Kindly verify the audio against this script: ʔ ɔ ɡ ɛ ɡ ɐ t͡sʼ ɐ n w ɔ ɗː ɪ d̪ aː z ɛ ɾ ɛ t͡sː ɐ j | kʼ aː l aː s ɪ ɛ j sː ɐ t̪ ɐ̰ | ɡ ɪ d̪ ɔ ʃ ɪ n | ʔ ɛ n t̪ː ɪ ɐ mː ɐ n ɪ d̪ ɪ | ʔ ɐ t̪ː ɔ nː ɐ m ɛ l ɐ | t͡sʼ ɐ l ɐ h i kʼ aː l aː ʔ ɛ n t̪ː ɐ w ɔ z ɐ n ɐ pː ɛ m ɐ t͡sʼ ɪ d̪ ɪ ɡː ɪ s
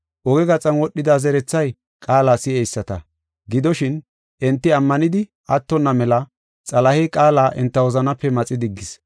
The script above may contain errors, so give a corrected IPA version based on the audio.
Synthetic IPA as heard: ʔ ɔ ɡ ɛ ɡ ɐ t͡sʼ ɐ n w ɔ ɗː ɪ d̪ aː z ɛ ɾ ɛ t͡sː ɐ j | kʼ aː l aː s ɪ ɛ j sː ɐ t̪ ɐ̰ | ɡ ɪ d̪ ɔ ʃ ɪ n | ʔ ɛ n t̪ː ɪ ɐ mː ɐ n ɪ d̪ ɪ | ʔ ɐ t̪ː ɔ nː ɐ m ɛ l ɐ | t͡sʼ ɐ l ɐ h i kʼ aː l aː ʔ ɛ n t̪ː ɐ w ɔ z ɐ n ɐ pː ɛ m ɐ t͡sʼ ɪ d̪ ɪ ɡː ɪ s